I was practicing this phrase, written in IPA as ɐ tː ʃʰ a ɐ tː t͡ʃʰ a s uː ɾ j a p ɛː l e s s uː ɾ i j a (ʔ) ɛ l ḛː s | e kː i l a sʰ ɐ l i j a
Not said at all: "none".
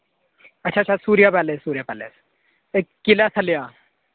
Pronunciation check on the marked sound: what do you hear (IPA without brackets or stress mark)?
p